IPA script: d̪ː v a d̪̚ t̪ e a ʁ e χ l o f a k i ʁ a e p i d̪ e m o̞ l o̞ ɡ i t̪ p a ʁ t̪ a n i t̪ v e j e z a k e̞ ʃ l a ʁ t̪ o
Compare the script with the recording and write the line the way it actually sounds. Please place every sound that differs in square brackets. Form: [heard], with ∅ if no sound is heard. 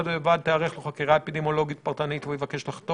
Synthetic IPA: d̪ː v a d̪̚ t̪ e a ʁ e χ l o [χ] a k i ʁ a e p i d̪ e m o̞ l o̞ ɡ i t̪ p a ʁ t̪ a n i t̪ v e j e [v] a k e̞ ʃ l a [χ] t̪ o